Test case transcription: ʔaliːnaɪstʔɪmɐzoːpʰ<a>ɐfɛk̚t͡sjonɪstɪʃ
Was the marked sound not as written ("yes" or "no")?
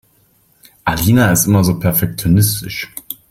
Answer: yes